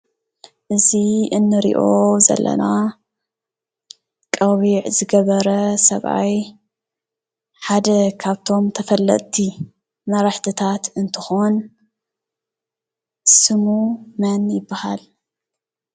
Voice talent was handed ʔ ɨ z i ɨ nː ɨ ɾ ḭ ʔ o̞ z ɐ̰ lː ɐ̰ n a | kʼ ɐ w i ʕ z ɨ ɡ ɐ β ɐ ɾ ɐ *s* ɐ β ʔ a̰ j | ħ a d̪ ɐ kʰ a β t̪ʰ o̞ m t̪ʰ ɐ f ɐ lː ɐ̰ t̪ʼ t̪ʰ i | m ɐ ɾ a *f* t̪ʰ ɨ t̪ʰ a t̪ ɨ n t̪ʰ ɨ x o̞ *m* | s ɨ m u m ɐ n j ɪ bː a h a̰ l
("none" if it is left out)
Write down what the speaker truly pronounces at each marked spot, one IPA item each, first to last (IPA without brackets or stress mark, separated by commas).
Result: s, ħ, n